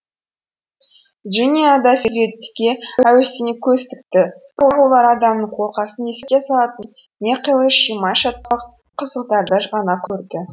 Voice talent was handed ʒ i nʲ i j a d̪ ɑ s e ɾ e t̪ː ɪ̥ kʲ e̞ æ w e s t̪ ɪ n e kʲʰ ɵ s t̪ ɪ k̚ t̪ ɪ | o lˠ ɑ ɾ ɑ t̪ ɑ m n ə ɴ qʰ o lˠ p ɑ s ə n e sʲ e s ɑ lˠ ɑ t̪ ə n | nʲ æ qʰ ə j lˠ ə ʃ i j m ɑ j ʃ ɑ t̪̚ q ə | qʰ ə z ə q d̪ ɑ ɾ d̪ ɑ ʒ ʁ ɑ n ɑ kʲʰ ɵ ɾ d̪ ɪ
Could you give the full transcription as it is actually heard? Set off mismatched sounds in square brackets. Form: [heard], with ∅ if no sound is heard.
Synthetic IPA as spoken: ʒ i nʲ i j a d̪ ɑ s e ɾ e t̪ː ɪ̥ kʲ e̞ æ w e s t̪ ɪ n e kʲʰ ɵ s t̪ ɪ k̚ t̪ ɪ | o lˠ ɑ ɾ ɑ [d̪] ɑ m n ə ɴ qʰ o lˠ [q] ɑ s ə n e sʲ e s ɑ lˠ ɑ t̪ ə n | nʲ [e] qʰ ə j lˠ ə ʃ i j m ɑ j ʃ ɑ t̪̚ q [ɑ] | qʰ ə z ə q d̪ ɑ ɾ d̪ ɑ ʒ ʁ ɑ n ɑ kʲʰ ɵ ɾ d̪ ɪ